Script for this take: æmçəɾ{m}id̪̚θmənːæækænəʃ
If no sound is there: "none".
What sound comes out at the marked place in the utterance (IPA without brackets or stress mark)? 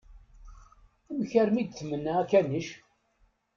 m